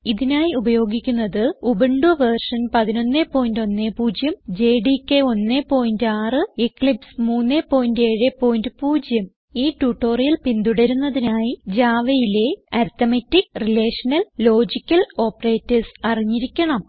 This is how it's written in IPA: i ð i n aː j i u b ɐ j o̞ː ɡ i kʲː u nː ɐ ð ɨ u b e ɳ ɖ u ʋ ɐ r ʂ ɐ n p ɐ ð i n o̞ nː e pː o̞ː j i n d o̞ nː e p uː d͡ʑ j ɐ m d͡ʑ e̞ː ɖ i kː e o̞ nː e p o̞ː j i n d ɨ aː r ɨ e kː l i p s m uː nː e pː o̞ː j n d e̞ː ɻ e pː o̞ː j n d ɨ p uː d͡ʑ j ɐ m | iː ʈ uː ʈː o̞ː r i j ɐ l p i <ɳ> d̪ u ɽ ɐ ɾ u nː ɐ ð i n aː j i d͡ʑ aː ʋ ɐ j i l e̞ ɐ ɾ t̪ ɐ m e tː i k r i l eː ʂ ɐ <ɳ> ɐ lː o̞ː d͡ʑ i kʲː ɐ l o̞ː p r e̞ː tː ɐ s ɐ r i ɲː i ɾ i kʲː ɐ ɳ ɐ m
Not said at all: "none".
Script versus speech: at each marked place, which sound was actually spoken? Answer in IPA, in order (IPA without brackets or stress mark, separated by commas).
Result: n, n